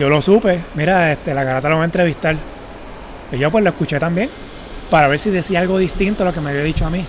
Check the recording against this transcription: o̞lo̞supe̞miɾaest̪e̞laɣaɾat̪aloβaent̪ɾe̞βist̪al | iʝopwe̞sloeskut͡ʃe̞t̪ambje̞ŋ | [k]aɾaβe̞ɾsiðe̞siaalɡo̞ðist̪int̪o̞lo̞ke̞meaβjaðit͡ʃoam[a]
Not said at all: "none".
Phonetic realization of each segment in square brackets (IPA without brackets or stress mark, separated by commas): p, i